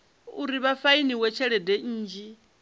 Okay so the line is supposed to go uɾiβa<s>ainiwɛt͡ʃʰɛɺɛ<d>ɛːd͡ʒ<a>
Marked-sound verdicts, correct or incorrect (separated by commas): incorrect, correct, incorrect